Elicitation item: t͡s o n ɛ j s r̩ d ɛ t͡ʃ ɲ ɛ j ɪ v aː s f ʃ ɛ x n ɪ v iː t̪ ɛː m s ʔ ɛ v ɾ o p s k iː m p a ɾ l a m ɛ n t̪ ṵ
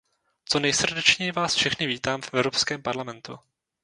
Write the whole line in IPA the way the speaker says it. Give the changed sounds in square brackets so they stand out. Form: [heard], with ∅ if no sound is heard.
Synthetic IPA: t͡s o n ɛ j s r̩ d ɛ t͡ʃ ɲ ɛ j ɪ v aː s f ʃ ɛ x n ɪ v iː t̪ [aː] m [f] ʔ ɛ v ɾ o p s k [ɛː] m p a ɾ l a m ɛ n t̪ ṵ